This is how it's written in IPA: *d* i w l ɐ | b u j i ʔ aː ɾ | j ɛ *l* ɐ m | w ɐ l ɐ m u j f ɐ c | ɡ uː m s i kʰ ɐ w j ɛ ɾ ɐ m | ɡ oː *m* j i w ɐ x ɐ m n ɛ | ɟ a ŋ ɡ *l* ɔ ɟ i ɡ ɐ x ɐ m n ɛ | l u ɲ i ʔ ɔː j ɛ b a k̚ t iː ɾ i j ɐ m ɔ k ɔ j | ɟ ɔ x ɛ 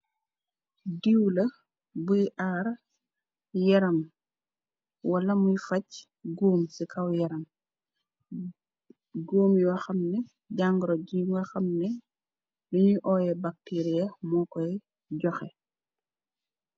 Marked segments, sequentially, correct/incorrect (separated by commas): correct, incorrect, correct, incorrect